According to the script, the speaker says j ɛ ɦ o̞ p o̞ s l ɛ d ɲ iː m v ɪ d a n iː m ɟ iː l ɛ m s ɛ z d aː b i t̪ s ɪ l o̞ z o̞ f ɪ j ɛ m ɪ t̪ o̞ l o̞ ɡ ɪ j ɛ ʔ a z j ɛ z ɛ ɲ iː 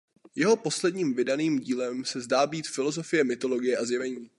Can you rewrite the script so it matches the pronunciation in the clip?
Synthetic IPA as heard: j ɛ ɦ o̞ p o̞ s l ɛ d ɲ iː m v ɪ d a n iː m ɟ iː l ɛ m s ɛ z d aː b iː t̪ f ɪ l o̞ z o̞ f ɪ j ɛ m ɪ t̪ o̞ l o̞ ɡ ɪ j ɛ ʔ a z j ɛ v ɛ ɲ iː